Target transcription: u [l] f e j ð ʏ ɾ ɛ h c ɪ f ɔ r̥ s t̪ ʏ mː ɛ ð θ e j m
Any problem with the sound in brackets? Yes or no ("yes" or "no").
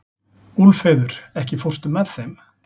no